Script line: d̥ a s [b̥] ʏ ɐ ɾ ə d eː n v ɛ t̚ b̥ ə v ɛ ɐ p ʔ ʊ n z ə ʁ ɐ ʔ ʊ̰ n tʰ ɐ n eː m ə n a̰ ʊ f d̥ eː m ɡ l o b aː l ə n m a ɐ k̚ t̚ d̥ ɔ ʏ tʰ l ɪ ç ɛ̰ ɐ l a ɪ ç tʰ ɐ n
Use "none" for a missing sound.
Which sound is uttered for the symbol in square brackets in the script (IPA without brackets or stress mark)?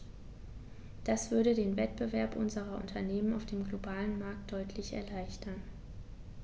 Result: v̥